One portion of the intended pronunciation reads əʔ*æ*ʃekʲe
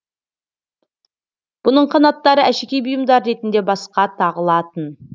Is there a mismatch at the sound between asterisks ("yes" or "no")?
no